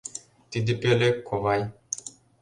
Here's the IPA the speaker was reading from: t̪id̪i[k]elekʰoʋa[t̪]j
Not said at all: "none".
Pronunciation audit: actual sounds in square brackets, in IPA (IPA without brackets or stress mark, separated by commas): p, none